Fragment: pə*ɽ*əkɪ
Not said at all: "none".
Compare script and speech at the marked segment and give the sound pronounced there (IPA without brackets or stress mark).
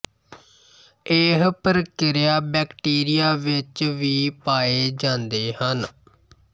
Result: ɾ